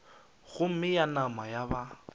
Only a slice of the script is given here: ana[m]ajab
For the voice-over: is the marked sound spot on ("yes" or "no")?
yes